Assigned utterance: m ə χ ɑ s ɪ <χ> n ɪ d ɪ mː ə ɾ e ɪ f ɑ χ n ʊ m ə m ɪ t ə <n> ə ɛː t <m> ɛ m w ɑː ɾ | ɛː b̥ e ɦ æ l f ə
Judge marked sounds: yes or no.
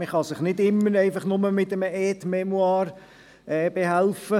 yes, no, yes

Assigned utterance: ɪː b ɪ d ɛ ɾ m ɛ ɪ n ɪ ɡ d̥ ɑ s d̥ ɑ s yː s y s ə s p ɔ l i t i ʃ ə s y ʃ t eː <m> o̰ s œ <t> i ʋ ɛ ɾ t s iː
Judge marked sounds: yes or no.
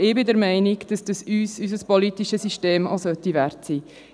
yes, yes

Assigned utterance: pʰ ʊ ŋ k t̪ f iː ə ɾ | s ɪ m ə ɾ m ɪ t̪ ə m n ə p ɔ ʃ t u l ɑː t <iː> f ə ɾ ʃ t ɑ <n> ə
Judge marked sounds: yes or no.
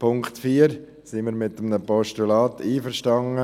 yes, no

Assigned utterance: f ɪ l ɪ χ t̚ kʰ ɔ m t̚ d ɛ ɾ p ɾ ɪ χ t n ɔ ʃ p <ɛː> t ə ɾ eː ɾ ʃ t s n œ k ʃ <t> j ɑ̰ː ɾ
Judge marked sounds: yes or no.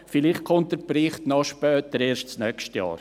no, yes

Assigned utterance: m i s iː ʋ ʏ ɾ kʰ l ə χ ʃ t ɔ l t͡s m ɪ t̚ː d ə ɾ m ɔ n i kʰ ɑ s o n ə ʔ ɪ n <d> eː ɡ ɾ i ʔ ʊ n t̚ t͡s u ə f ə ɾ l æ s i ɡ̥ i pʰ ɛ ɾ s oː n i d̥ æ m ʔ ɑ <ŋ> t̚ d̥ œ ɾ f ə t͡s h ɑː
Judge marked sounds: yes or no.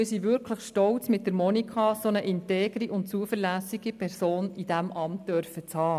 no, no

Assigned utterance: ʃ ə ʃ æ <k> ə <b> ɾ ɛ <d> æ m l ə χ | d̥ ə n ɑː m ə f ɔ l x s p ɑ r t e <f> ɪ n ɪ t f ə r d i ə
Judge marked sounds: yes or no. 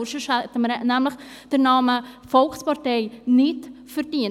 no, no, no, no

